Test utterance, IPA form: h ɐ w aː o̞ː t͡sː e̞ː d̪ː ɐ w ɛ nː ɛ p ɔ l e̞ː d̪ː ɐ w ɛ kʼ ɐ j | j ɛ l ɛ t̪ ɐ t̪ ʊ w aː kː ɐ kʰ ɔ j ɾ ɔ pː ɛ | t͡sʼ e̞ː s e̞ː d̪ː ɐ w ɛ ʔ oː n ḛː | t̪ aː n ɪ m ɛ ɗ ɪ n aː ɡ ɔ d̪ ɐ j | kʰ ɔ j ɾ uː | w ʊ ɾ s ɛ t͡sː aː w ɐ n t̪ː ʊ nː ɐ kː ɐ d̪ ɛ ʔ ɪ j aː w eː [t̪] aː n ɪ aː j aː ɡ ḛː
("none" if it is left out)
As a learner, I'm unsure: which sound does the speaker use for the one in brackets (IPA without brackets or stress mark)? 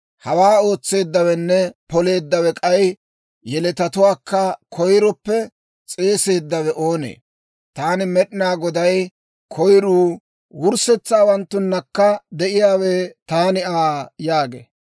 t̪